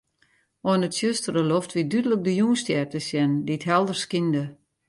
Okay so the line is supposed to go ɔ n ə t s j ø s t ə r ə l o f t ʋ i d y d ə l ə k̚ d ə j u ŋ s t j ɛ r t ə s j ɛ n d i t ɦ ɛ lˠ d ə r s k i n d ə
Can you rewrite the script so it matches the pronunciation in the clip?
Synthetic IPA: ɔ n ə t s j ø s t ə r ə l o f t ʋ i d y d ə l ə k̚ d ə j u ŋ s t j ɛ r t ə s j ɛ n d i t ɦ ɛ lˠ d ə r s k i n d ə